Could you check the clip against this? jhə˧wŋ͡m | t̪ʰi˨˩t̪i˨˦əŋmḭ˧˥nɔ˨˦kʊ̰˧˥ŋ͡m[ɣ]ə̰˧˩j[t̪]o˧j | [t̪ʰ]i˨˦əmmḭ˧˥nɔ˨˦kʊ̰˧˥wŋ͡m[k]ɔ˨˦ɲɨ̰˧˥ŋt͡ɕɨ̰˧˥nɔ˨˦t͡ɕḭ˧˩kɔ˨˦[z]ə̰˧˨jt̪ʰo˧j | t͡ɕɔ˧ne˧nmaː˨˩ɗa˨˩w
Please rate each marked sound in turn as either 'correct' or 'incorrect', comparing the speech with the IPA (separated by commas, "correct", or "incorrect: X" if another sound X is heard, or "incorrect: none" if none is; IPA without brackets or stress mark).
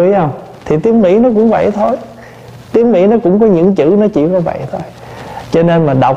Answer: incorrect: v, incorrect: t̪ʰ, incorrect: t̪, correct, incorrect: v